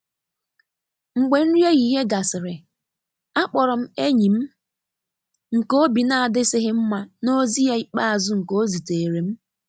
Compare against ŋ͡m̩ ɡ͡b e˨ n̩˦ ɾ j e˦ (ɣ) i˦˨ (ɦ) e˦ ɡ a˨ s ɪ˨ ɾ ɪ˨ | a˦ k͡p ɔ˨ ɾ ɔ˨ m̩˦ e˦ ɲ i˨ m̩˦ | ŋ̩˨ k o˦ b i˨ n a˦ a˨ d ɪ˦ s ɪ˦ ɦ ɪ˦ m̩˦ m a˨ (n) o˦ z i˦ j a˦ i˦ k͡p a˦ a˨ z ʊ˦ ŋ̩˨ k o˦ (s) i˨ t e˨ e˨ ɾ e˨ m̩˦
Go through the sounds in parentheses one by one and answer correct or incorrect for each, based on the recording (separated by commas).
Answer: correct, correct, correct, incorrect